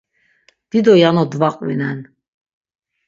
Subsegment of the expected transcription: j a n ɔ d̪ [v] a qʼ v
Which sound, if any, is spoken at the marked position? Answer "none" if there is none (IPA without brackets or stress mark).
v